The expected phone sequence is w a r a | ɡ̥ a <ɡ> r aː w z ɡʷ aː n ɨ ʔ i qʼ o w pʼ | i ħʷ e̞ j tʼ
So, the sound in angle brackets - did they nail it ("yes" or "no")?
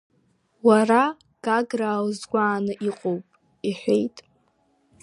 yes